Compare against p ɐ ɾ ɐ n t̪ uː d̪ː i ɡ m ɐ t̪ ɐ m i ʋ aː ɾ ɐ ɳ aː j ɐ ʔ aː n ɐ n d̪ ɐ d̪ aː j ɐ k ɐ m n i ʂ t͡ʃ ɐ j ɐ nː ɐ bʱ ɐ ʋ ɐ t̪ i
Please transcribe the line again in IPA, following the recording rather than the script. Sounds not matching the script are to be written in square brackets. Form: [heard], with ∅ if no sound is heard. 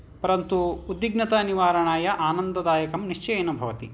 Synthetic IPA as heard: p ɐ ɾ ɐ n t̪ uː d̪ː i ɡ [n] ɐ t̪ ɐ [n] i ʋ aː ɾ ɐ ɳ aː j ɐ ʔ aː n ɐ n d̪ ɐ d̪ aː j ɐ k ɐ m n i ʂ t͡ʃ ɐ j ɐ [n] ɐ bʱ ɐ ʋ ɐ t̪ i